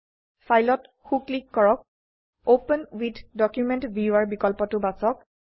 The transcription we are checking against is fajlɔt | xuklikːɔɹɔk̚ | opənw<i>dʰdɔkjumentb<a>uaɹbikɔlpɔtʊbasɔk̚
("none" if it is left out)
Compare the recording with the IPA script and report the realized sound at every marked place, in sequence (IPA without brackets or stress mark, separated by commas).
i, i